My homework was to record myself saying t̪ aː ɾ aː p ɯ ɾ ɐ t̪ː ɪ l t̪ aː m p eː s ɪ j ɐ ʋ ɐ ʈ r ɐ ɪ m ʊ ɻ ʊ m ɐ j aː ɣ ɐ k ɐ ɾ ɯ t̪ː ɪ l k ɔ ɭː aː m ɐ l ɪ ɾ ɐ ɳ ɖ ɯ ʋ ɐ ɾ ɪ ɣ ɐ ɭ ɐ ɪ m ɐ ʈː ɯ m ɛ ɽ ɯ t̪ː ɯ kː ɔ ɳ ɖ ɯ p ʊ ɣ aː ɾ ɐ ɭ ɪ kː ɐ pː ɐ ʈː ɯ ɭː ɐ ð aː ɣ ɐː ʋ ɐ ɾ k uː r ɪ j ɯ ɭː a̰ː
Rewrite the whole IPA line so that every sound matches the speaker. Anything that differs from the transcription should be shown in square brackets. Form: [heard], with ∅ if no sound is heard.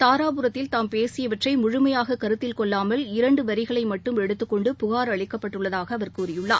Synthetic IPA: t̪ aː ɾ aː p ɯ ɾ ɐ t̪ː ɪ l t̪ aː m p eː s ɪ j ɐ ʋ ɐ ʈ r ɐ ɪ m ʊ ɻ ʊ m ɐ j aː ɣ ɐ k ɐ ɾ ɯ t̪ː ɪ l k ɔ ɭː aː m ɐ l ɪ ɾ ɐ ɳ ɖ ɯ ʋ ɐ ɾ ɪ ɣ ɐ ɭ ɐ ɪ m ɐ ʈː ɯ m ɛ ɽ ɯ t̪ː ɯ kː ɔ ɳ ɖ ɯ p ʊ ɣ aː ɾ ɐ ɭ ɪ kː ɐ pː ɐ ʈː ɯ ɭː ɐ ð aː ɣ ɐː ʋ ɐ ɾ k uː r ɪ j ɯ ɭː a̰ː